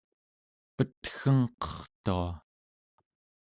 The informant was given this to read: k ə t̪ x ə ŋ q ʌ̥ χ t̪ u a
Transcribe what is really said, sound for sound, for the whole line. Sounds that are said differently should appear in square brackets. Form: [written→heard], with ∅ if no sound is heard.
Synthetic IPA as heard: [k→p] ə t̪ x ə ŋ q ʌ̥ χ t̪ u a